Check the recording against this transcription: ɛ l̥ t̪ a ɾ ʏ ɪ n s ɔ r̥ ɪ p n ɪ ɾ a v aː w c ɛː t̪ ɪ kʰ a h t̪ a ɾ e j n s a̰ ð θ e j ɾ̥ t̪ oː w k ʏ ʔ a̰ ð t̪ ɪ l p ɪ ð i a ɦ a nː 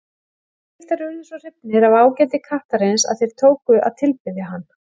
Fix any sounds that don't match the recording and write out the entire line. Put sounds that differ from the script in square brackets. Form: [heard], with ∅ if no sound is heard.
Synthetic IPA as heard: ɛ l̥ t̪ a ɾ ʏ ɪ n s ɔ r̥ ɪ p n ɪ ɾ a v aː w c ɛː t̪ ɪ kʰ a h t̪ a ɾ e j n s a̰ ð θ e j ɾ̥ [t̪ʰ] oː w k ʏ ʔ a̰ ð [t̪ʰ] ɪ l p ɪ ð [j] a ɦ a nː